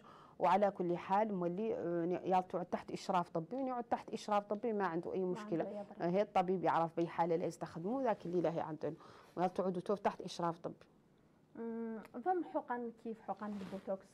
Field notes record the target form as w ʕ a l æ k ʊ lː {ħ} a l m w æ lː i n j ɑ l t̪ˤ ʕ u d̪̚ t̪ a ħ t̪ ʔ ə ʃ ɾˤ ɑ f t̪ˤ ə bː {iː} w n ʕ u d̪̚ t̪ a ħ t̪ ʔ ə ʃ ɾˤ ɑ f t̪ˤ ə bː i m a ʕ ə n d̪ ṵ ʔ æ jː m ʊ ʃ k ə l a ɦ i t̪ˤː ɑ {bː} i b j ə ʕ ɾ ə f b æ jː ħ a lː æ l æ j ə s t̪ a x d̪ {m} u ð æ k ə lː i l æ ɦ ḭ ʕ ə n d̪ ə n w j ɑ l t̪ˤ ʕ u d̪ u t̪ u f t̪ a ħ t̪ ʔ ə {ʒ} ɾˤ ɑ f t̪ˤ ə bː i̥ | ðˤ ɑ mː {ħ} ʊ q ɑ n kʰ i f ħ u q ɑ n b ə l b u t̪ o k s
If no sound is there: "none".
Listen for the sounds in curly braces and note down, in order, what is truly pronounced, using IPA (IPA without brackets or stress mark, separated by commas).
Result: ħ, i, b, m, ʃ, ħ